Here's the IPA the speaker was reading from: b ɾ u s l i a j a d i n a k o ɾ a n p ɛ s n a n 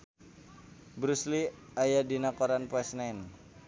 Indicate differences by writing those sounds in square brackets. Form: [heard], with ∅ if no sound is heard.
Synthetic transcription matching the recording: b ɾ u s l i a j a d i n a k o ɾ a n p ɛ s n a n